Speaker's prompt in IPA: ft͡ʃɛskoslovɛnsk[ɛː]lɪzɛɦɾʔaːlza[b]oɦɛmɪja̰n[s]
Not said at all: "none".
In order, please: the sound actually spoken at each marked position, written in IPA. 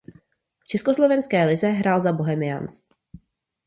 ɛː, b, s

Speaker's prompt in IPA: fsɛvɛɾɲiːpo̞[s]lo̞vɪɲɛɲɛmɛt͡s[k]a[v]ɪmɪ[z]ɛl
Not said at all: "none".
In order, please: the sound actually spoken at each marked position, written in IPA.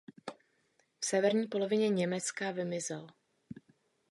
none, k, v, z

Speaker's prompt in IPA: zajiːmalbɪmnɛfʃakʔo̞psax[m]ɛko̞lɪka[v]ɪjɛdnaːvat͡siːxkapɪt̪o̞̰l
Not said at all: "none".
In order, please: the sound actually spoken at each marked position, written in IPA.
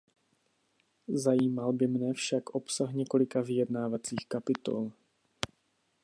ɲ, v

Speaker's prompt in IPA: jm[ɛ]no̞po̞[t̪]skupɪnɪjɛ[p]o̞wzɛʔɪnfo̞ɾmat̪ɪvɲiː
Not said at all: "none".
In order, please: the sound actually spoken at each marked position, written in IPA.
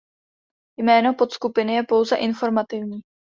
ɛː, t̪, p

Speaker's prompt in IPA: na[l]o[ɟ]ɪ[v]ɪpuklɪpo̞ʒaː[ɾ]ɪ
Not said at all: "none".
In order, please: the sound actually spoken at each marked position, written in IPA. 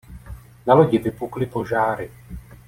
l, ɟ, v, ɾ

